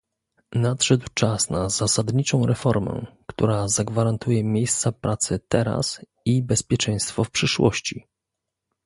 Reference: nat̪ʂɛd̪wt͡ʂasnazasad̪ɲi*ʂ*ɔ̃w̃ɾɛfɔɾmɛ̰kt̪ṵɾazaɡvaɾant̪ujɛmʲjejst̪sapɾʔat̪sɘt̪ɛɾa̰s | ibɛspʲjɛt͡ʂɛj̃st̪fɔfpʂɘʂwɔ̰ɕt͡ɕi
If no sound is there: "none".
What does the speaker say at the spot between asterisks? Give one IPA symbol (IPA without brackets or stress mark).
t͡ʂ